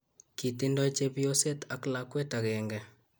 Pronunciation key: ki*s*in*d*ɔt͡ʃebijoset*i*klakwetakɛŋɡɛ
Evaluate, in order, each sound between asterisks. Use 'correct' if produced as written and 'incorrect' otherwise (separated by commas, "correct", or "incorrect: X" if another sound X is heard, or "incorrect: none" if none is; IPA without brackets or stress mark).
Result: incorrect: t, correct, incorrect: a